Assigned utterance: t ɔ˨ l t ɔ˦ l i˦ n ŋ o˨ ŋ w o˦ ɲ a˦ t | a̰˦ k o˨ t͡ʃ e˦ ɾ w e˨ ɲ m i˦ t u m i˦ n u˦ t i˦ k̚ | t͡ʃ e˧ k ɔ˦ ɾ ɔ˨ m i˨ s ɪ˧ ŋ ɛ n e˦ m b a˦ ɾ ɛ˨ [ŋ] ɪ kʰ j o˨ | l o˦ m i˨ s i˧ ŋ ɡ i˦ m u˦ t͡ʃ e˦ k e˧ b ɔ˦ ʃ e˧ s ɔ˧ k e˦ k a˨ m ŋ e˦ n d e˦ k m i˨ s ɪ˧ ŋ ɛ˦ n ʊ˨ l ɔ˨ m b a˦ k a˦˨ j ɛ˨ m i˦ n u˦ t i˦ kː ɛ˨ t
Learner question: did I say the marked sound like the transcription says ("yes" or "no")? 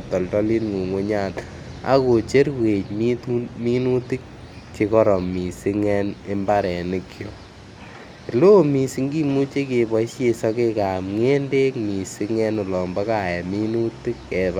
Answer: no